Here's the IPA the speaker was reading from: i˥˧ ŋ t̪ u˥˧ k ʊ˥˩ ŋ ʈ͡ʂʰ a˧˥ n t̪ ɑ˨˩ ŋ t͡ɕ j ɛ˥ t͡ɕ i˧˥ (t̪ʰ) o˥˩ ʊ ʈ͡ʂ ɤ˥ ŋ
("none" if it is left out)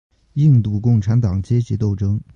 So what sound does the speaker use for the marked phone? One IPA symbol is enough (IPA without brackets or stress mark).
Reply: t̪